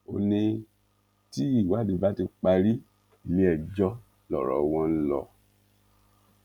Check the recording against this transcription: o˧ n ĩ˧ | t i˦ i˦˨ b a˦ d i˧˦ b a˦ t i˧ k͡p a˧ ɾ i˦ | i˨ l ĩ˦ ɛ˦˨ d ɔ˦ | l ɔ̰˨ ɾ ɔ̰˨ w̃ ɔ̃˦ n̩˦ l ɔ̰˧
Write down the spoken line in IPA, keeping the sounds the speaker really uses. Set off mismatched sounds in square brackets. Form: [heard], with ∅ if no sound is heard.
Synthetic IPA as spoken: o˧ n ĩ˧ | t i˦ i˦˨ [w] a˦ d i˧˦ b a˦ t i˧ k͡p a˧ ɾ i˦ | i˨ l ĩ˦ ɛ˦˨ [d͡ʒ] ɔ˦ | l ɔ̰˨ ɾ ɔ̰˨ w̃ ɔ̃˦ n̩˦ l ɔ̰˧